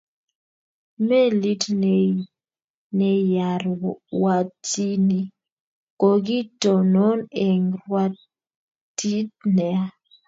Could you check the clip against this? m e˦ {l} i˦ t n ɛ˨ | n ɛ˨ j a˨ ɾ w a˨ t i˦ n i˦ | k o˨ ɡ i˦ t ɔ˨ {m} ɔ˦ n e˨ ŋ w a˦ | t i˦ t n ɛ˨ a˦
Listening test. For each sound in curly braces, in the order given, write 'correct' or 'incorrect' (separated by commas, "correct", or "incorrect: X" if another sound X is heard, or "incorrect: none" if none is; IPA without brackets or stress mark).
correct, incorrect: n